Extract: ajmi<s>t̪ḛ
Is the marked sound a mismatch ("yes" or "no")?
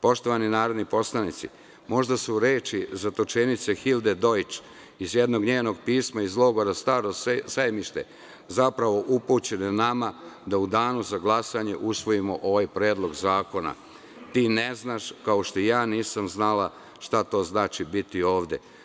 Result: yes